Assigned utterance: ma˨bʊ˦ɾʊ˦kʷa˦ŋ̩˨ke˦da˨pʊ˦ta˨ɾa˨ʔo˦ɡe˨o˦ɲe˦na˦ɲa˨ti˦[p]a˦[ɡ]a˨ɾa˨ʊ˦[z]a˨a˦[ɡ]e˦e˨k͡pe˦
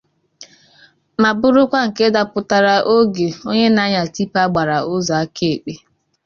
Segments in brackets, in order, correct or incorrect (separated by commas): correct, incorrect, correct, incorrect